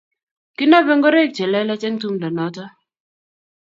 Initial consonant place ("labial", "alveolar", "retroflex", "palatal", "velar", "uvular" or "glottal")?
velar